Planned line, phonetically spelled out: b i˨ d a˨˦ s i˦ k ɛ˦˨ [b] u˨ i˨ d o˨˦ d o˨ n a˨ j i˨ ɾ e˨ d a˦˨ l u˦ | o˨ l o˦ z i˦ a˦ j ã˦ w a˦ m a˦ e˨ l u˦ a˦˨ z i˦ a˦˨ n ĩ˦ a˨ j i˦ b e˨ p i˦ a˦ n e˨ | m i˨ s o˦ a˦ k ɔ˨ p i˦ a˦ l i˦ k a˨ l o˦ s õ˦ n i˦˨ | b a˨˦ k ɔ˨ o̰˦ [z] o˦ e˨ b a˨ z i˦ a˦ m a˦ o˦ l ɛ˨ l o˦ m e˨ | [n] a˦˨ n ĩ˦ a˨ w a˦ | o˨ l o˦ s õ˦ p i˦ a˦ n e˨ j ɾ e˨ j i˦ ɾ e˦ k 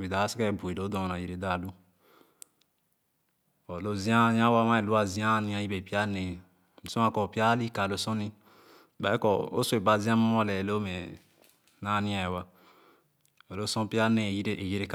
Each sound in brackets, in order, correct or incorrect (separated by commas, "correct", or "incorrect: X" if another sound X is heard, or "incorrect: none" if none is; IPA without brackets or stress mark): correct, incorrect: s, correct